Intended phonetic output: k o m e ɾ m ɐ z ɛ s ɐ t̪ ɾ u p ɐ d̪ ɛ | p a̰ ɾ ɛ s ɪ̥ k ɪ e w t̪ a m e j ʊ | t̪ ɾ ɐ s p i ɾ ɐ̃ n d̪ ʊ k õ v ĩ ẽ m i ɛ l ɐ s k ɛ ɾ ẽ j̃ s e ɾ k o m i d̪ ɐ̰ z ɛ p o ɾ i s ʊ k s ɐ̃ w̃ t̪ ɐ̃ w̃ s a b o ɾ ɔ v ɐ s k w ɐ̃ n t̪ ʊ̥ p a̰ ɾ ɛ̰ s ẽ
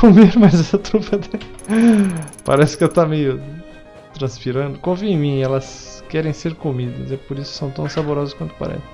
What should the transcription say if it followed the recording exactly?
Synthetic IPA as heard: k o m e ɾ m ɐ z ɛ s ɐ t̪ ɾ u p ɐ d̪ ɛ | p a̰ ɾ ɛ s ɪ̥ k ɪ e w t̪ a m e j ʊ | t̪ ɾ ɐ̃ s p i ɾ ɐ̃ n d̪ ʊ k õ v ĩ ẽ m ĩ ɛ l ɐ s k ɛ ɾ ẽ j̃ s e ɾ k o m i d̪ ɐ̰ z ɛ p o ɾ i s ʊ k s ɐ̃ w̃ t̪ ɐ̃ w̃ s a b o ɾ ɔ z ɐ s k w ɐ̃ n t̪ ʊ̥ p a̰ ɾ ɛ̰ s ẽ